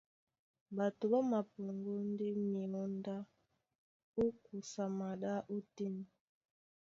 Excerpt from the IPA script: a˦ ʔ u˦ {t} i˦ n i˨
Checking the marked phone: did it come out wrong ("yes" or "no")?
no